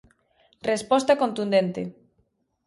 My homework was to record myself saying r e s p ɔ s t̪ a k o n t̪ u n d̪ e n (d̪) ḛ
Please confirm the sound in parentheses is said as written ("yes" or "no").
no